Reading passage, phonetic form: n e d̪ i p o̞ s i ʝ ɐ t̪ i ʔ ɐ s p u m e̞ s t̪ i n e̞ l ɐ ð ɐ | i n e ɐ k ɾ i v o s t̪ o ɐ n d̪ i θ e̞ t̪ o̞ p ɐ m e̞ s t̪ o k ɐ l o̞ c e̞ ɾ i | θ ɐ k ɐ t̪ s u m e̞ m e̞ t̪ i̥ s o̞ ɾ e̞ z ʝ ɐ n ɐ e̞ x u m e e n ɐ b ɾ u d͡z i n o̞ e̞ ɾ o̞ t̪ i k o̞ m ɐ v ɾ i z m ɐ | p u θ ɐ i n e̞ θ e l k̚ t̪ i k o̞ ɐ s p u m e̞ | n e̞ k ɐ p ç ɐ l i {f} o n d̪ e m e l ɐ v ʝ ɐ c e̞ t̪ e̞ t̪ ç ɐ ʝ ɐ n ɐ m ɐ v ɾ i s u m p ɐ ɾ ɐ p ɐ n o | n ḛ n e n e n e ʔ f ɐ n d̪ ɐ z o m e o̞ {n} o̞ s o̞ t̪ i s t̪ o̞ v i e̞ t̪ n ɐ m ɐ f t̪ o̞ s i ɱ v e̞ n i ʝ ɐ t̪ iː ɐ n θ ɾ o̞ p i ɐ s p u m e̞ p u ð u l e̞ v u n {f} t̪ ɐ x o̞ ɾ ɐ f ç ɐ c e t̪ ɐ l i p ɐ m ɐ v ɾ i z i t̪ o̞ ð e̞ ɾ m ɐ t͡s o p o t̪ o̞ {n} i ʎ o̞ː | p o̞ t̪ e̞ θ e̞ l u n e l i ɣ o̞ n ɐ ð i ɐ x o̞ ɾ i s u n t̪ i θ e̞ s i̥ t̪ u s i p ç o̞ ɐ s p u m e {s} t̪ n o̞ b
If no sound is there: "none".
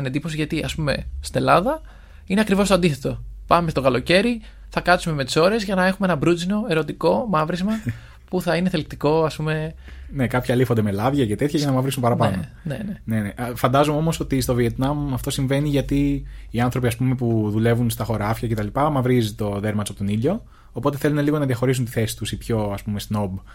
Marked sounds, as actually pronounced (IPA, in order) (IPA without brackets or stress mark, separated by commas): f, m, s, n, s